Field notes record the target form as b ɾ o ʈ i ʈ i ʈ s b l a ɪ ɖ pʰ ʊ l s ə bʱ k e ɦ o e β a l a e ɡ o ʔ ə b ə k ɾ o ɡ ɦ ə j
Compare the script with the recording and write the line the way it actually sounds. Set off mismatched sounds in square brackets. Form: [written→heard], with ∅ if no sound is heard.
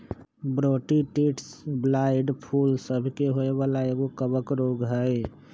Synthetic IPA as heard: b ɾ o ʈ i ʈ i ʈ s b l a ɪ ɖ pʰ [ʊ→u] l s ə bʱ k e ɦ o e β a l a e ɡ o [ʔ→k] ə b ə k ɾ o ɡ ɦ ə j